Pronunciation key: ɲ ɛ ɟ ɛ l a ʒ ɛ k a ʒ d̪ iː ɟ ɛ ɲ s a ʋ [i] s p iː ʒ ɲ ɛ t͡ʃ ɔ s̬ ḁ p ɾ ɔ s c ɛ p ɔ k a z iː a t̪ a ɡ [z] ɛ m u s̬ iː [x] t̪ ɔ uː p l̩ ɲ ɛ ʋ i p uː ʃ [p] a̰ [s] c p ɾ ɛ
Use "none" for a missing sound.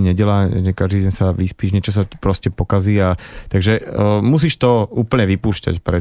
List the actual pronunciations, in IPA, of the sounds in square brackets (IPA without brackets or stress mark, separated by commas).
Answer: i, ʒ, ʃ, c, none